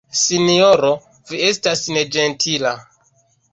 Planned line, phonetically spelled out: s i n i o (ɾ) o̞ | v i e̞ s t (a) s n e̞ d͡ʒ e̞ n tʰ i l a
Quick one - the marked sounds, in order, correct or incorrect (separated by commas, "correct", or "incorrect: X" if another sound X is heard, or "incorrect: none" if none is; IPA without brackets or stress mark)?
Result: correct, correct